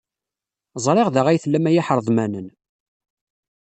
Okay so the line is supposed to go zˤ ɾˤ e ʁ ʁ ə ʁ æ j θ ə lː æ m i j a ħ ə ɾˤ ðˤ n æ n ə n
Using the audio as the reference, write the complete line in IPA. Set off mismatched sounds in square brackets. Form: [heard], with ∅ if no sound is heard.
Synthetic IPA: zˤ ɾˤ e ʁ [ð] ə ʁ æ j θ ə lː æ m [æ] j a ħ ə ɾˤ ðˤ [m] æ n ə n